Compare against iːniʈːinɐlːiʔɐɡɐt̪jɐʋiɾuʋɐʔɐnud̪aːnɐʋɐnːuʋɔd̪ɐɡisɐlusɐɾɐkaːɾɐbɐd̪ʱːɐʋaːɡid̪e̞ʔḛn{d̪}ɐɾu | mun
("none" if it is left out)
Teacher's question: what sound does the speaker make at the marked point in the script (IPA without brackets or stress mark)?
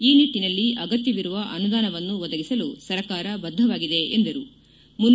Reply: d̪